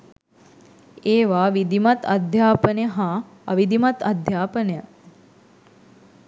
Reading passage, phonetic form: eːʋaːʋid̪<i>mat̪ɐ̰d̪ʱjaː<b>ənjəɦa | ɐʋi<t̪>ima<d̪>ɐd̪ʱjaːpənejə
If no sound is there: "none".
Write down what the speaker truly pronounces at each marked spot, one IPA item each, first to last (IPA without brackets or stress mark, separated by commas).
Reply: i, p, d̪, t̪